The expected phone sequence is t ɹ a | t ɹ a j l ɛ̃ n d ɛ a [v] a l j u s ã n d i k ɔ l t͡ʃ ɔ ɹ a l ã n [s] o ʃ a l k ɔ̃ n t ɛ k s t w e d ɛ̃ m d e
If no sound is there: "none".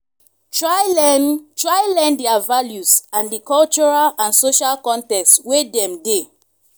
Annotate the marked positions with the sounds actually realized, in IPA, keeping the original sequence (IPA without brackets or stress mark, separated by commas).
v, s